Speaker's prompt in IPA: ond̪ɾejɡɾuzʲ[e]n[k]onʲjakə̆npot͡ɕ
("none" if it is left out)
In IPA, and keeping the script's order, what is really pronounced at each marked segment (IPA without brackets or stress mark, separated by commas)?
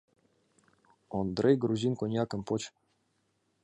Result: i, k